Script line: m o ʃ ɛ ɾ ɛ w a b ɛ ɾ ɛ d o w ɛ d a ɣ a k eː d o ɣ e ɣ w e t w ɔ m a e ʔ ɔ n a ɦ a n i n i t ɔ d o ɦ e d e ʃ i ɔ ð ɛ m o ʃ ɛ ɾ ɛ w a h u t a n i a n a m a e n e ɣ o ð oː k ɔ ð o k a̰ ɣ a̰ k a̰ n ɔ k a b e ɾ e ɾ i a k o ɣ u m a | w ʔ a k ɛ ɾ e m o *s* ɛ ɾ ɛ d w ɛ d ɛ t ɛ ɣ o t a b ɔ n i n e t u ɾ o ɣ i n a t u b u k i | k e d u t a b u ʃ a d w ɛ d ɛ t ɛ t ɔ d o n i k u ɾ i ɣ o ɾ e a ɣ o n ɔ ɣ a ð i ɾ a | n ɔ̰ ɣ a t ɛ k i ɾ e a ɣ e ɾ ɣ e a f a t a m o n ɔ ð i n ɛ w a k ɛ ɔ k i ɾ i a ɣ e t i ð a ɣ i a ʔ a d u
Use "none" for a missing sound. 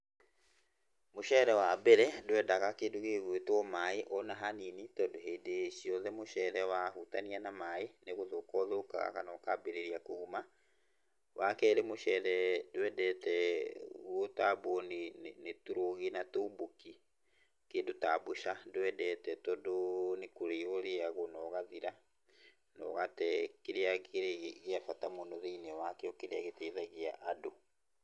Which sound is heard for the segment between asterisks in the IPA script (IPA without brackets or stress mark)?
ʃ